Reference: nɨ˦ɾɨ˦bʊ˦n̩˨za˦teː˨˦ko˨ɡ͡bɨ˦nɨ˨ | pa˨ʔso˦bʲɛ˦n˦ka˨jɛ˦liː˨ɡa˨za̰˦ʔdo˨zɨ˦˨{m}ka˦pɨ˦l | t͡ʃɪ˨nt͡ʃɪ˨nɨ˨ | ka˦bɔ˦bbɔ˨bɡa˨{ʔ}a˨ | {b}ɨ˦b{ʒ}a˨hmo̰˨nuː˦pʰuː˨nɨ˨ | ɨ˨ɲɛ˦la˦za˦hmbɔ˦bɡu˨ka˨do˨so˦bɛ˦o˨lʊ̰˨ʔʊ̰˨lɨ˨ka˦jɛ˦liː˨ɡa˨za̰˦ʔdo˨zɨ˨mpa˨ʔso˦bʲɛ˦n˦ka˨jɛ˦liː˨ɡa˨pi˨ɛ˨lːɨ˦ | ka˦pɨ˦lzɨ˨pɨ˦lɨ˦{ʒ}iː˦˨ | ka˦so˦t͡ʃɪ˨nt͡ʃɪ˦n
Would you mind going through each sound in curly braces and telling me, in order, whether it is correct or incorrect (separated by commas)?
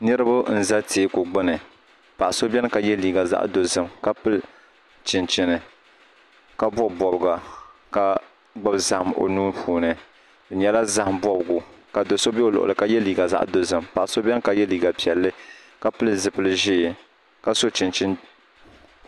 correct, incorrect, incorrect, incorrect, correct